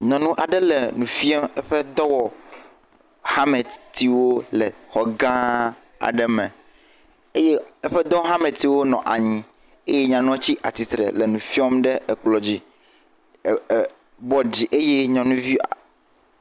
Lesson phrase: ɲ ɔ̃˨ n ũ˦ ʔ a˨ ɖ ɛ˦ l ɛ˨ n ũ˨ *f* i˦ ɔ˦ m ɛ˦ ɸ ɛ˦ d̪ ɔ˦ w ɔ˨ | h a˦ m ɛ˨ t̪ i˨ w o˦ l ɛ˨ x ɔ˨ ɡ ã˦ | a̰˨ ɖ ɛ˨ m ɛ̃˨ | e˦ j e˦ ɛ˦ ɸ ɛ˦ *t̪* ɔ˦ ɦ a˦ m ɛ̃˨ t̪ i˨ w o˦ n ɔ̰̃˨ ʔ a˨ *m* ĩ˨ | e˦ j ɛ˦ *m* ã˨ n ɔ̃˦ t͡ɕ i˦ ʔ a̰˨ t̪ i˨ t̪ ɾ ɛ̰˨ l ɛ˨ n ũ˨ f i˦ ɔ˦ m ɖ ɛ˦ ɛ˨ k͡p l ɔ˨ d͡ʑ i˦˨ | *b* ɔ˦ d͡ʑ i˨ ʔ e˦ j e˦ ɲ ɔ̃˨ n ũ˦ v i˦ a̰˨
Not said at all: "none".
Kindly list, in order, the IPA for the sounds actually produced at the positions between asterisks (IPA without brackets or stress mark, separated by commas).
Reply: f, d̪, ɲ, ɲ, b